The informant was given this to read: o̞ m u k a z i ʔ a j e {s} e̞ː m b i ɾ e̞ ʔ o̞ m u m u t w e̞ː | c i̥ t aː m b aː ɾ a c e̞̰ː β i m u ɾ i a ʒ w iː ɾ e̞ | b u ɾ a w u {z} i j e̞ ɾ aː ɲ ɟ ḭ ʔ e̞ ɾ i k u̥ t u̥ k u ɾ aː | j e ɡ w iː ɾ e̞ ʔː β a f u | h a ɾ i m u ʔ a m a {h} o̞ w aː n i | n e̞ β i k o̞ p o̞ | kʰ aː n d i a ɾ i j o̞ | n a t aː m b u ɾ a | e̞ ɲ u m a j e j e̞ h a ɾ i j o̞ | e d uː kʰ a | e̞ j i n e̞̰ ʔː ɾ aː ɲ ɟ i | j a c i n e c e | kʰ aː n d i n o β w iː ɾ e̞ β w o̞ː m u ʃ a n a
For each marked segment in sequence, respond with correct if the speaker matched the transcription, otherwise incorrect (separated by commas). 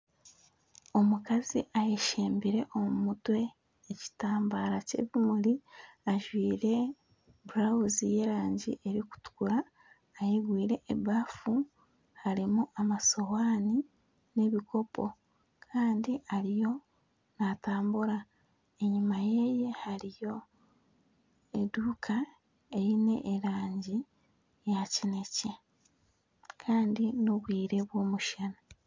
incorrect, correct, incorrect